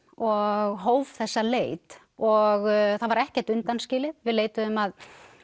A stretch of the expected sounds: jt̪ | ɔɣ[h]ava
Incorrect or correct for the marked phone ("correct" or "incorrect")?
incorrect